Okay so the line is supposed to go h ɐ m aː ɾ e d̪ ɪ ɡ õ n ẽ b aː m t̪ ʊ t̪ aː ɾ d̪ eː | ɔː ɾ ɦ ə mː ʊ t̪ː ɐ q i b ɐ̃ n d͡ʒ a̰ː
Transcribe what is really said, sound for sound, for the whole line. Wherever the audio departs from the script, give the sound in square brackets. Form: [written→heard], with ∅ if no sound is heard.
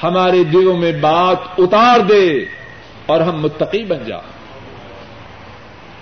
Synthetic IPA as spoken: h ɐ m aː ɾ e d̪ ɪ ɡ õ [n→m] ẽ b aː [m→∅] t̪ ʊ t̪ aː ɾ d̪ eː | ɔː ɾ ɦ [ə→ɐ] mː ʊ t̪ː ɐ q i b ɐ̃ n d͡ʒ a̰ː